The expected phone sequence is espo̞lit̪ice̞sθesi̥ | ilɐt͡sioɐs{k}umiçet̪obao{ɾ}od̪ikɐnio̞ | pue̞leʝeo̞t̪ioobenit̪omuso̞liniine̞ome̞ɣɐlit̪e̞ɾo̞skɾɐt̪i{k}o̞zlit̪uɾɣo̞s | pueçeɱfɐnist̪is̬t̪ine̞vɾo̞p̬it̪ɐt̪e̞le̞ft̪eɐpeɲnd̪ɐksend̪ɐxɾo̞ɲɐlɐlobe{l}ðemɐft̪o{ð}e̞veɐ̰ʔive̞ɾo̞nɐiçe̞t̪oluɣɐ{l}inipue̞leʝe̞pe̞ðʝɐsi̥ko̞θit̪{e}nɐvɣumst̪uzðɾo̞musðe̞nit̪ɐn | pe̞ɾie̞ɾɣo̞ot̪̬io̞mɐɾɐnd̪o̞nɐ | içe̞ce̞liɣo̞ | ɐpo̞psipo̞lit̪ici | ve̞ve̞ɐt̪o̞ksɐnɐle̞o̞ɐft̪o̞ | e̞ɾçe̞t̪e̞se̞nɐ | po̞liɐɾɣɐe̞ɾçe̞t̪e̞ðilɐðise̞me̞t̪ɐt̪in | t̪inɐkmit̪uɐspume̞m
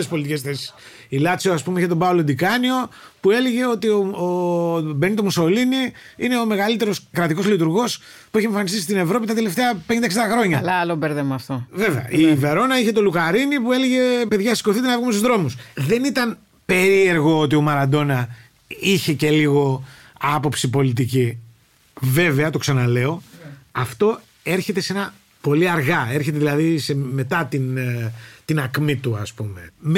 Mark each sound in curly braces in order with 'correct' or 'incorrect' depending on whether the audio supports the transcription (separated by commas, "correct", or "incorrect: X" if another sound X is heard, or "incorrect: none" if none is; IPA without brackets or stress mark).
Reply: incorrect: p, incorrect: l, correct, incorrect: ɾ, incorrect: v, incorrect: ɾ, correct